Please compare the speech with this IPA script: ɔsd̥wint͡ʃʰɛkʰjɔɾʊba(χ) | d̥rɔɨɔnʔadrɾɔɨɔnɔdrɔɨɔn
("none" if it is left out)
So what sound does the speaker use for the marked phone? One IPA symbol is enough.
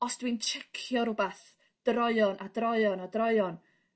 θ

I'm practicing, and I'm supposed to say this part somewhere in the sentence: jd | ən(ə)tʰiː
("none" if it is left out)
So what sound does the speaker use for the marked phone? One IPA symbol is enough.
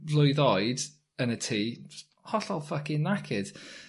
ə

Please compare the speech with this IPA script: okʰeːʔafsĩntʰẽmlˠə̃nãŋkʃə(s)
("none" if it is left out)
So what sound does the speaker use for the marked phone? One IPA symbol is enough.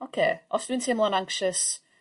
s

